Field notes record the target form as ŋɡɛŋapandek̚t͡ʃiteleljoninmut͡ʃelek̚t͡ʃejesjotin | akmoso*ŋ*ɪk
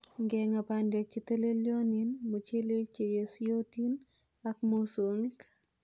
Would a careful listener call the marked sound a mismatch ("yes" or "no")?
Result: no